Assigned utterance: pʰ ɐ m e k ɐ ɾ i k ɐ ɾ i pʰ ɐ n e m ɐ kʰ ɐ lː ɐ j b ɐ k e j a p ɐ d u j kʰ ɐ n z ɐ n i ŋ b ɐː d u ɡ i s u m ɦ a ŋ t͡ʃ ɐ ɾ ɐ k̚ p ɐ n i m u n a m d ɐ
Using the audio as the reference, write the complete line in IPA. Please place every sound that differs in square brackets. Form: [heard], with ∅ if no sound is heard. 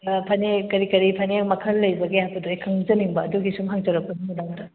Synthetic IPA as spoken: pʰ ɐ [n] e k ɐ ɾ i k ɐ ɾ i pʰ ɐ n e m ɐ kʰ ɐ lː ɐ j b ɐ [ɡ] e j a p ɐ d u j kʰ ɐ [ŋ] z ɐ n i ŋ b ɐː d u ɡ i s u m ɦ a ŋ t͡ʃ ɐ ɾ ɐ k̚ p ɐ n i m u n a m d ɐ

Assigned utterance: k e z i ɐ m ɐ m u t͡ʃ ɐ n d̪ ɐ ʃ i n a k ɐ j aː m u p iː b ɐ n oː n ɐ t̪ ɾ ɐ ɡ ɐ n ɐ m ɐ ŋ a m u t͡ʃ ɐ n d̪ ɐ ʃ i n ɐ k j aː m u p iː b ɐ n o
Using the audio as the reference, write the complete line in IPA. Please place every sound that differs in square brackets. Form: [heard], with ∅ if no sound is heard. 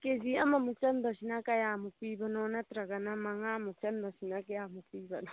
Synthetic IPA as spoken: k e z i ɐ m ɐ m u t͡ʃ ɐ n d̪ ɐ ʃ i n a k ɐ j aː m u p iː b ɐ n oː n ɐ t̪ ɾ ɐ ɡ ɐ n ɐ m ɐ ŋ a m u t͡ʃ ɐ n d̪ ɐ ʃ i n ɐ k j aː m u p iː b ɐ n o

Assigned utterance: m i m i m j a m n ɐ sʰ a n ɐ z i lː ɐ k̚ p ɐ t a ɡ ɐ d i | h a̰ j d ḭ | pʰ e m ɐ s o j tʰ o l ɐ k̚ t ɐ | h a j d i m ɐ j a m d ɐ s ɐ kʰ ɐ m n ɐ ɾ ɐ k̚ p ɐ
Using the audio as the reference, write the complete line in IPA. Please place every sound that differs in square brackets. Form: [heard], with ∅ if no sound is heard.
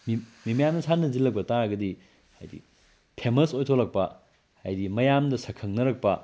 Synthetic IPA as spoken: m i m i m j a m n ɐ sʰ a n ɐ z i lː ɐ k̚ p ɐ t a ɡ ɐ d i | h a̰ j d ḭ | pʰ e m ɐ s o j tʰ o l ɐ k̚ [p] ɐ | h a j d i m ɐ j a m d ɐ s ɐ kʰ ɐ [ŋ] n ɐ ɾ ɐ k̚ p ɐ

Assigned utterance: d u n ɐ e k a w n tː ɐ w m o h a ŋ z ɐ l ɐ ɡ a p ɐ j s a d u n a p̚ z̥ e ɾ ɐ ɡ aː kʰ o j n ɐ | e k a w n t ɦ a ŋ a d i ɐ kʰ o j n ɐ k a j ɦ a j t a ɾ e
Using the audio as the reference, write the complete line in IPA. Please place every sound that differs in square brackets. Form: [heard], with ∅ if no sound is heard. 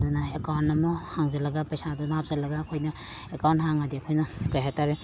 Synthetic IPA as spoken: d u n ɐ e k a w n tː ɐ [∅] m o h a ŋ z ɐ l ɐ ɡ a p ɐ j s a d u n a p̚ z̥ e [l] ɐ ɡ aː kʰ o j n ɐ | e k a w n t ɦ a ŋ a d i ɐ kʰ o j n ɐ k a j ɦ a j t a ɾ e

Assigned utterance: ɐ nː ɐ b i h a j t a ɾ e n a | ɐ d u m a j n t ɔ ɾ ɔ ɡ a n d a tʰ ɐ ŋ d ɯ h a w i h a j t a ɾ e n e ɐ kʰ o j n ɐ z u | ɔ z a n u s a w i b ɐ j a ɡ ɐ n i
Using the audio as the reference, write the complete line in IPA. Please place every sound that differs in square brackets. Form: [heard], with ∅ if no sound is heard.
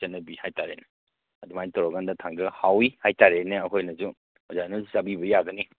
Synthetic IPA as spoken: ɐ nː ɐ b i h a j t a ɾ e n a | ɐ d u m a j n t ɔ ɾ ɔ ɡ a n d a tʰ [a] ŋ d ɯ h a w i h a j t a ɾ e n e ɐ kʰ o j n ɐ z u | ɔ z a n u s a [b] i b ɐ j a ɡ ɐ n i

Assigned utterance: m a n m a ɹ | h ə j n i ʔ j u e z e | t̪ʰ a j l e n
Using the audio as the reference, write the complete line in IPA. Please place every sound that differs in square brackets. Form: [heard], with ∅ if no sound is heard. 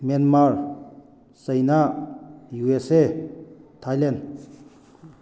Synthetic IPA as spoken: m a n m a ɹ | [s] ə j n [a] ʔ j u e [s] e | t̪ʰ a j l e n

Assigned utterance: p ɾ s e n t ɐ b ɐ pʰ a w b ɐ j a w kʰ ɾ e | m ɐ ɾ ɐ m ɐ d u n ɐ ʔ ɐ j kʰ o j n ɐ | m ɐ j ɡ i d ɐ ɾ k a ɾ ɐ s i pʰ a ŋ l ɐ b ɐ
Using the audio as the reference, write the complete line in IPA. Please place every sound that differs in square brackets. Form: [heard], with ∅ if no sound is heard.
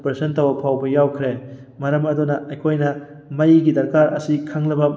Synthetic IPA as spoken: p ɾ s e n t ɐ [w] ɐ pʰ a w b ɐ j a w kʰ ɾ e | m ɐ ɾ ɐ m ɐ d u n ɐ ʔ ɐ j kʰ o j n ɐ | m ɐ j ɡ i d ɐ ɾ k a ɾ ɐ s i [kʰ] a ŋ l ɐ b ɐ

